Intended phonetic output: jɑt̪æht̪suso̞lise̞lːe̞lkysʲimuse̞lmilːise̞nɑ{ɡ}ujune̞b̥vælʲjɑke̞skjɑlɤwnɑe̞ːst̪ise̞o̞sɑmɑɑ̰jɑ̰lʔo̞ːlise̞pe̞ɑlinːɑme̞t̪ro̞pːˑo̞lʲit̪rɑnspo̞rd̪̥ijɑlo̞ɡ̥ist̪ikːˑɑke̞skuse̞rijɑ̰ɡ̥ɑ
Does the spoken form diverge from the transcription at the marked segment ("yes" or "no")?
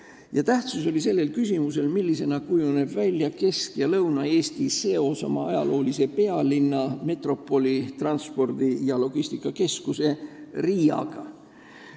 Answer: yes